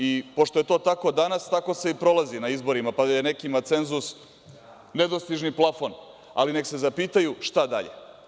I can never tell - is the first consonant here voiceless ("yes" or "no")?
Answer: yes